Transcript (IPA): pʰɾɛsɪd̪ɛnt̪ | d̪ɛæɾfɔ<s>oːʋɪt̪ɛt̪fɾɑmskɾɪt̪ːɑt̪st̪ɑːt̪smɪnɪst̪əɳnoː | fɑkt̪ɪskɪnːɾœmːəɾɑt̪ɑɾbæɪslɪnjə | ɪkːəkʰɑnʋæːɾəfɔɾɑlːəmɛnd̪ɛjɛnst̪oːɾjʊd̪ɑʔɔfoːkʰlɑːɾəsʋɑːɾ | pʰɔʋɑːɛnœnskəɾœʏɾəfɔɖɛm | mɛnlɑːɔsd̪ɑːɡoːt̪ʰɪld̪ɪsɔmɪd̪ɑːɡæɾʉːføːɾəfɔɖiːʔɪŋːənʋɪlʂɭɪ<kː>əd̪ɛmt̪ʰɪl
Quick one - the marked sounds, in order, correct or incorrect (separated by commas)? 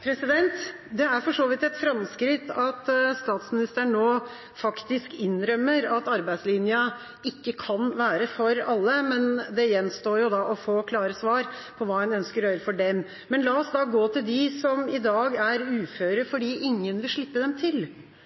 incorrect, incorrect